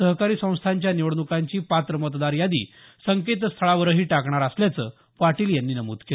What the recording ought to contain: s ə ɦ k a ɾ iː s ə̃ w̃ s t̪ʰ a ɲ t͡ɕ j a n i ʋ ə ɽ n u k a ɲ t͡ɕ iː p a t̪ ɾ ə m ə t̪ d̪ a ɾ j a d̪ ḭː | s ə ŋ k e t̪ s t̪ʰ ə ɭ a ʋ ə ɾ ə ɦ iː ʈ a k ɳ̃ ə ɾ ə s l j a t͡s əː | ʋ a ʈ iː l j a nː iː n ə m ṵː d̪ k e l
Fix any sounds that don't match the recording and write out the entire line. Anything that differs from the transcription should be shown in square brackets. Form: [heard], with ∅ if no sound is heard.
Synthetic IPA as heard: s ə ɦ k a ɾ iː s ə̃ w̃ s t̪ʰ a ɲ t͡ɕ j a n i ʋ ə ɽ n u k a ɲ t͡ɕ iː p a t̪ ɾ ə m ə t̪ d̪ a ɾ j a d̪ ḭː | s ə ŋ k e t̪ s t̪ʰ ə ɭ a ʋ ə ɾ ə ɦ iː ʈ a k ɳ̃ [a] ɾ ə s l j a t͡s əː | ʋ a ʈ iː l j a nː iː n ə m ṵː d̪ k e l